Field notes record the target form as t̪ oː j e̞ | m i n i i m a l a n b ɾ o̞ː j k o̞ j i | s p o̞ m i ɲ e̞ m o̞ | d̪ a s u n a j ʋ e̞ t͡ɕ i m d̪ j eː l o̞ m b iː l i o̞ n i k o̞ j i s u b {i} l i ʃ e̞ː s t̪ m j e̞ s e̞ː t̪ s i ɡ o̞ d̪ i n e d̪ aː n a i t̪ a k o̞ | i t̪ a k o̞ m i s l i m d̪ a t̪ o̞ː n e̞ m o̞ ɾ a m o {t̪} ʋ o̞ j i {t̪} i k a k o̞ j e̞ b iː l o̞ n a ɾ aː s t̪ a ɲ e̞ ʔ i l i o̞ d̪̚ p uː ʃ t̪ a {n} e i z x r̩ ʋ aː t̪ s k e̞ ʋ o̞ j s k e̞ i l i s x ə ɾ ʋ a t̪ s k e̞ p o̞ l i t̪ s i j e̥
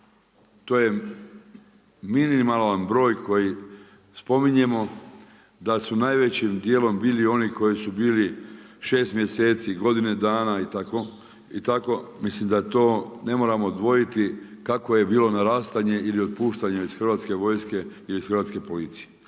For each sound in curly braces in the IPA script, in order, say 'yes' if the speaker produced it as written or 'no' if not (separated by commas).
no, no, yes, no